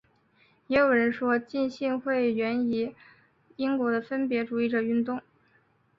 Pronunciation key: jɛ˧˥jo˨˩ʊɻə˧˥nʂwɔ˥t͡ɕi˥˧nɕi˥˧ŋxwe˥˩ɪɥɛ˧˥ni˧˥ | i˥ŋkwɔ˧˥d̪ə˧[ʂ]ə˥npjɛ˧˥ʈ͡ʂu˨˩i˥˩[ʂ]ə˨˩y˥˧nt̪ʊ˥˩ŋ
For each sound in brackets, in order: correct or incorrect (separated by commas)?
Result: incorrect, incorrect